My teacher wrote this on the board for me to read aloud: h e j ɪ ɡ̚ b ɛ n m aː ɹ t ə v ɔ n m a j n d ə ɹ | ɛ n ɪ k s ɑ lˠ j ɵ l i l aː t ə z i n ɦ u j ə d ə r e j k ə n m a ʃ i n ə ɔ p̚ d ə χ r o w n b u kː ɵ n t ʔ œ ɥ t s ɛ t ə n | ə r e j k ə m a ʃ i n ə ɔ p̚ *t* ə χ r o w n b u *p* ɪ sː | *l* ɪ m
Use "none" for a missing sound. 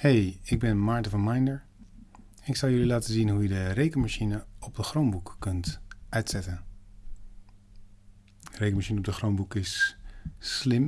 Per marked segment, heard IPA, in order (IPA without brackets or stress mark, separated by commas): d, k, l